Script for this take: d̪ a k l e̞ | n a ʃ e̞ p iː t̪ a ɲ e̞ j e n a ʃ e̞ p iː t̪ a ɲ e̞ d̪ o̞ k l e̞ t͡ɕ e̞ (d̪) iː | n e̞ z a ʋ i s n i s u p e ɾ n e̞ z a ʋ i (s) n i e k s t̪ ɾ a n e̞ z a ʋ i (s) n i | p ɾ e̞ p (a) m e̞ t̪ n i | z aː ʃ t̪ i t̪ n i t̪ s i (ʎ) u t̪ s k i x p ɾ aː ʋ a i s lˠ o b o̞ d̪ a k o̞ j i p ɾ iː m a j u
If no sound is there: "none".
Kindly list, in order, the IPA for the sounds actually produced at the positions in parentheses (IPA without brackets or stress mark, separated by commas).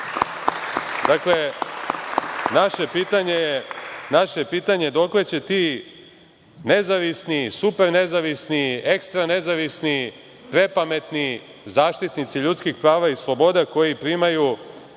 t̪, s, s, a, ʎ